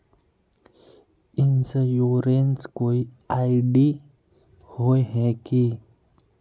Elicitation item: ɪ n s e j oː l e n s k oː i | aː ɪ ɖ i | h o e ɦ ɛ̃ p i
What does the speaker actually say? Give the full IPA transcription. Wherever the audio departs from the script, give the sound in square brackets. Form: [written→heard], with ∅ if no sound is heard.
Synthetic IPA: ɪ n s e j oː [l→ɾ] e n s k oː i | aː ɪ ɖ i | h o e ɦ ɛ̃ [p→k] i